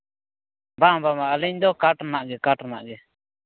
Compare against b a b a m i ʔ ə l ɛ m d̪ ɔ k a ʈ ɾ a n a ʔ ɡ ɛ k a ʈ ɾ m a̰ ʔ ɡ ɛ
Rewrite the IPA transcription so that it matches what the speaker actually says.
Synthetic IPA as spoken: b a b a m a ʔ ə l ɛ ɲ d̪ ɔ k a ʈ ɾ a n a ʔ ɡ ɛ k a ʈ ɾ n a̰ ʔ ɡ ɛ